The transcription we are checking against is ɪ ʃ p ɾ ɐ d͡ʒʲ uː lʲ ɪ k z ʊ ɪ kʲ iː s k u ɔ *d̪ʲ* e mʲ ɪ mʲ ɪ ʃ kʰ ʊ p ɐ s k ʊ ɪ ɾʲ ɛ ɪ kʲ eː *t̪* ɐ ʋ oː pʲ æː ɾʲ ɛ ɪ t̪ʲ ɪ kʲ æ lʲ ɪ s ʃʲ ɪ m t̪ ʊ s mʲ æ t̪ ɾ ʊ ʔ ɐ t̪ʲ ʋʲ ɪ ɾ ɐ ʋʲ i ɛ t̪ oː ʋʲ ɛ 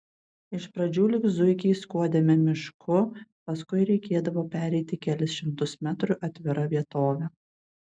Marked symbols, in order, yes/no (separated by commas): yes, no